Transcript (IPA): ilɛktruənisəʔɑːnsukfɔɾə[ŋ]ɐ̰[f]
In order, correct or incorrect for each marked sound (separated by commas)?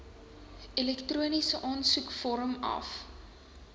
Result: incorrect, correct